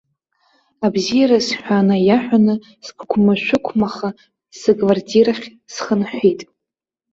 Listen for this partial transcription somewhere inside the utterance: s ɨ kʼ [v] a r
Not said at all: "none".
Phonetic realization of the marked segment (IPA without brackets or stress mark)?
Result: v